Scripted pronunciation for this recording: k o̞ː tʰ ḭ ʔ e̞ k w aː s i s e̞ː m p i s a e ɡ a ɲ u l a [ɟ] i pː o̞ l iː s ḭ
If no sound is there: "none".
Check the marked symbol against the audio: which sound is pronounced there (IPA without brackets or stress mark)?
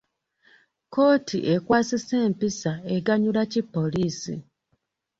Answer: c